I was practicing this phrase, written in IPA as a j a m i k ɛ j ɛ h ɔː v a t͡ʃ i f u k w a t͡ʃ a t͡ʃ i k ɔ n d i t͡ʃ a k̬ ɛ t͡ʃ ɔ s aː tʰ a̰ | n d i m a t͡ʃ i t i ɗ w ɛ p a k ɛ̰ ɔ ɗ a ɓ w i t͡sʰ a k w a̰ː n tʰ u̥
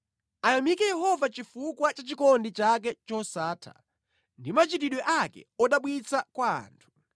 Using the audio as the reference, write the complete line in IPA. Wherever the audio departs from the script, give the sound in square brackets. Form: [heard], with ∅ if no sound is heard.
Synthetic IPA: a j a m i k ɛ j ɛ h [ɔ] v a t͡ʃ i f u k w a t͡ʃ a t͡ʃ i k ɔ n d i t͡ʃ a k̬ ɛ t͡ʃ ɔ s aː tʰ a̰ | n d i m a t͡ʃ i t i ɗ w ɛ [ʔ] a k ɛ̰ ɔ ɗ a ɓ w i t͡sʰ a k w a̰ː n tʰ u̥